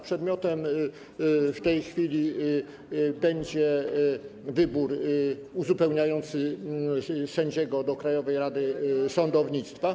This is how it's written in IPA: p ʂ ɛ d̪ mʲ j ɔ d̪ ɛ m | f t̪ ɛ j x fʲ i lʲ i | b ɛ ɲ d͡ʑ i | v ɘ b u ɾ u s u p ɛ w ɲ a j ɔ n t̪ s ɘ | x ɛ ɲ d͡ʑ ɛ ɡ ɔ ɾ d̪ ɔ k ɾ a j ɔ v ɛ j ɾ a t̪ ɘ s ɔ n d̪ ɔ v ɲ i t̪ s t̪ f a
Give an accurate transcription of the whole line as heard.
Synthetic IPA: p ʂ ɛ d̪ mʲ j ɔ t̪ ɛ m | f t̪ ɛ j x fʲ i lʲ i | b ɛ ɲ d͡ʑ ɛ | v ɘ b u ɾ u z u p ɛ w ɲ a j ɔ n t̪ s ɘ | s ɛ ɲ d͡ʑ ɛ ɡ ɔ d̪ ɔ k ɾ a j ɔ v ɛ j ɾ a d̪ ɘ s ɔ n d̪ ɔ v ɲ i t̪ s t̪ f a

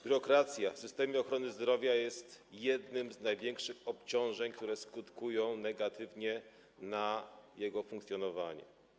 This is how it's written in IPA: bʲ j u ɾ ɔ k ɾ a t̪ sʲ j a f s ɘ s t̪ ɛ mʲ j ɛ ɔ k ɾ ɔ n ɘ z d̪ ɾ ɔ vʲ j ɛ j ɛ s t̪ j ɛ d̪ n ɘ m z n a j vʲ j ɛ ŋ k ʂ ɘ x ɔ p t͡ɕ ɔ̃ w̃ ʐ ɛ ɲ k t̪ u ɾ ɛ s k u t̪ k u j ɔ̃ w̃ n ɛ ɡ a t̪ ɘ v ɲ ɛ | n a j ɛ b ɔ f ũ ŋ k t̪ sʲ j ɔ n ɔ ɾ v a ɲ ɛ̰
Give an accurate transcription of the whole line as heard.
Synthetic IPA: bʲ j u ɾ ɔ k ɾ a t̪ sʲ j a f s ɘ s t̪ ɛ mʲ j ɛ ɔ x ɾ ɔ n ɘ z d̪ ɾ ɔ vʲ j a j ɛ s t̪ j ɛ d̪ n ɘ m z n a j vʲ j ɛ ŋ k ʂ ɘ x ɔ p t͡ɕ ɔ̃ w̃ ʐ ɛ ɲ k t̪ u ɾ ɛ s k u t̪ k u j ɔ̃ w̃ n ɛ ɡ a t̪ ɘ v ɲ ɛ | n a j ɛ ɡ ɔ f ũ ŋ k t̪ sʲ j ɔ n ɔ v a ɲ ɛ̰

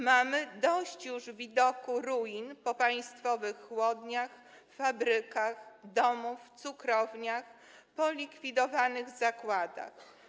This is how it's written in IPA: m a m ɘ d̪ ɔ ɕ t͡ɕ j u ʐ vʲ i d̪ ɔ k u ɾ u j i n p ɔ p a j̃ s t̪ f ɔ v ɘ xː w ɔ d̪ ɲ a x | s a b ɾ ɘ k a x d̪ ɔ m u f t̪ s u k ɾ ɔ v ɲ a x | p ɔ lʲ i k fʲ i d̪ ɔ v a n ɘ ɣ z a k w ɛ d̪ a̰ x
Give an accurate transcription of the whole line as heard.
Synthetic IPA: m a m ɘ d̪ ɔ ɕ t͡ɕ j u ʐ vʲ i d̪ ɔ k u ɾ u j i n p ɔ p a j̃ s t̪ f ɔ v ɘ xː w ɔ d̪ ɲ a x | f a b ɾ ɘ k a x d̪ ɔ m u f t̪ s u k ɾ ɔ v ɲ a x | p ɔ lʲ i k fʲ i d̪ ɔ v a n ɘ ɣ z a k w a d̪ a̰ x

